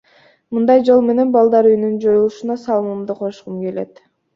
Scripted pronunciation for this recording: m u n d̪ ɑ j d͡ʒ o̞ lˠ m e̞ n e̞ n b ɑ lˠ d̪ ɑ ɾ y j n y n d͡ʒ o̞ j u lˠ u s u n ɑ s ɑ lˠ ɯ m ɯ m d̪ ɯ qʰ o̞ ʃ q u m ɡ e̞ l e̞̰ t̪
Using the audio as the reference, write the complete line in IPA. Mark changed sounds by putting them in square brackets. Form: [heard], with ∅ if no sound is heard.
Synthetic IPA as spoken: m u n d̪ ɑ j d͡ʒ o̞ lˠ m e̞ n e̞ n b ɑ lˠ d̪ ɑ ɾ y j n y n d͡ʒ o̞ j u lˠ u [ʃ] u n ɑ s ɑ lˠ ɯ m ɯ m d̪ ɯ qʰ o̞ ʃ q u m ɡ e̞ l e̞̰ t̪